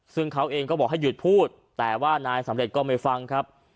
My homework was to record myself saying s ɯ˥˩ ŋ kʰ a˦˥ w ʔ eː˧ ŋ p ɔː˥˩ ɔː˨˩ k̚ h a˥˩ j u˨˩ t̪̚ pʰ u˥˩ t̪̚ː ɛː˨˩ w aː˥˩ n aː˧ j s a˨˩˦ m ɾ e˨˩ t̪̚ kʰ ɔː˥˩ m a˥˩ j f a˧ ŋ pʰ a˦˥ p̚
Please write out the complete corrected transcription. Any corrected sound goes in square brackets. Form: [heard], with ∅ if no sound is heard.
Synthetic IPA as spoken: s ɯ˥˩ ŋ kʰ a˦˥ w ʔ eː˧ ŋ [k] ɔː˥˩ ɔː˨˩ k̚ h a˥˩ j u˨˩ t̪̚ pʰ [uː˥˩] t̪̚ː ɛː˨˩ w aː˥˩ n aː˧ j s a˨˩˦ m ɾ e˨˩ t̪̚ [k] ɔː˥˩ m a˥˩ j f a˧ ŋ [kʰ] a˦˥ p̚